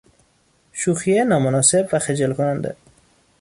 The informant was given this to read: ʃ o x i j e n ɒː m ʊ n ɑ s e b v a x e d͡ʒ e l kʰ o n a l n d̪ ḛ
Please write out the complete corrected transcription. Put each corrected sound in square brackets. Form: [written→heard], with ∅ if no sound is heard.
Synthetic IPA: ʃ [o→u] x i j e n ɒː m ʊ n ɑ s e b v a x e d͡ʒ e l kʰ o n a [l→∅] n d̪ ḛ

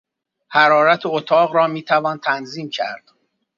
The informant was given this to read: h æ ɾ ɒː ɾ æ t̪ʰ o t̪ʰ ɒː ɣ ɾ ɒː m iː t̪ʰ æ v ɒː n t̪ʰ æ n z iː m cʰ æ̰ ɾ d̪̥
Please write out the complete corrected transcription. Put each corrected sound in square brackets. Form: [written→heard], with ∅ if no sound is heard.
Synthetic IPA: h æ ɾ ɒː ɾ æ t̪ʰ o t̪ʰ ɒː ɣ ɾ ɒː m iː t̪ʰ æ v ɒː n t̪ʰ æ n z iː m cʰ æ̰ ɾ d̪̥

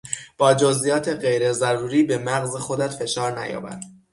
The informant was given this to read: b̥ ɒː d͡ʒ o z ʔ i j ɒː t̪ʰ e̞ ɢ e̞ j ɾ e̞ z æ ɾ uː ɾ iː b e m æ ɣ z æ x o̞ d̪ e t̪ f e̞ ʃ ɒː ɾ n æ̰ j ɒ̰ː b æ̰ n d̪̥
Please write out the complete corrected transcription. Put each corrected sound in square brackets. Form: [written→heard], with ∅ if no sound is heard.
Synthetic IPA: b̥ ɒː d͡ʒ o z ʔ i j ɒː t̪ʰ e̞ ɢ e̞ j ɾ e̞ z æ ɾ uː ɾ iː b e m æ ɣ z [æ→e] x o̞ d̪ [e→æ] t̪ f e̞ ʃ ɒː ɾ n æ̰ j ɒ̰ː b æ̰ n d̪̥

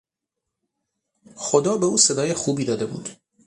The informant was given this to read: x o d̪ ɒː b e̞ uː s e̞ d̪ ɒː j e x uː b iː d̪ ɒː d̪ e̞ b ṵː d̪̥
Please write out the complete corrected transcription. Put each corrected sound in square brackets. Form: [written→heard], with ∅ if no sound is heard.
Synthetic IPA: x o d̪ ɒː b e̞ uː s e̞ d̪ ɒː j e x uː b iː d̪ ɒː d̪ e̞ b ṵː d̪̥

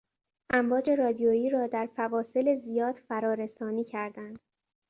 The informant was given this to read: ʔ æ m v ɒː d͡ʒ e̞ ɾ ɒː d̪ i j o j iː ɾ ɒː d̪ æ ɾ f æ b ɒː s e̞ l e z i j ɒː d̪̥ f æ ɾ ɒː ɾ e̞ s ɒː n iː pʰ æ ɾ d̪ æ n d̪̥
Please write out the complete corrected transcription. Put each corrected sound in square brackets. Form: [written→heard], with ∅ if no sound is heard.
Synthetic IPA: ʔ æ m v ɒː d͡ʒ e̞ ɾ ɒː d̪ i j o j iː ɾ ɒː d̪ æ ɾ f æ [b→v] ɒː s e̞ l e z i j ɒː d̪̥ f æ ɾ ɒː ɾ e̞ s ɒː n iː [pʰ→cʰ] æ ɾ d̪ æ n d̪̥

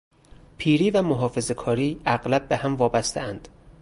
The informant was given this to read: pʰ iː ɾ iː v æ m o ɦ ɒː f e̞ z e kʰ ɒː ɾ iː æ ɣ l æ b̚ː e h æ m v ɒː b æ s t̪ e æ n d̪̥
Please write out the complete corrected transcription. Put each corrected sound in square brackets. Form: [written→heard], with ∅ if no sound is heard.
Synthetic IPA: pʰ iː ɾ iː v æ m o ɦ ɒː f e̞ z e kʰ ɒː ɾ iː æ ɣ l æ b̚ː e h æ m v ɒː b æ s t̪ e æ n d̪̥

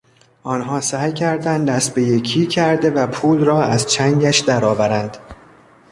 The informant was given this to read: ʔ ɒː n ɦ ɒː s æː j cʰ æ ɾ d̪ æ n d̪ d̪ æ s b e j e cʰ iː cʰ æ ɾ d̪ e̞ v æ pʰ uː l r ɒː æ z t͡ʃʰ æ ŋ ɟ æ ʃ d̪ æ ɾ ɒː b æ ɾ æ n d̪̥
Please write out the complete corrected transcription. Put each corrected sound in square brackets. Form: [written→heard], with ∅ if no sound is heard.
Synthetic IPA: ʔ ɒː n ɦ ɒː s æː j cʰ æ ɾ d̪ æ n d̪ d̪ æ s b e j e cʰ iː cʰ æ ɾ d̪ e̞ v æ pʰ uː l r ɒː æ z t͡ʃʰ æ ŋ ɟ æ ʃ d̪ æ ɾ ɒː [b→v] æ ɾ æ n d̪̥

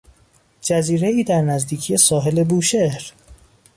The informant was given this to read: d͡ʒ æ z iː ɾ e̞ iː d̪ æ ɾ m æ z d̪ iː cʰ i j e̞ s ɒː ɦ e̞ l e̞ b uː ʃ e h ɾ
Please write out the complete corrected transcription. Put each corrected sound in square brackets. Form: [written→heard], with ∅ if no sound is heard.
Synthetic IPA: d͡ʒ æ z iː ɾ e̞ iː d̪ æ ɾ [m→n] æ z d̪ iː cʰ i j e̞ s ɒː ɦ e̞ l e̞ b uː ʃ e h ɾ

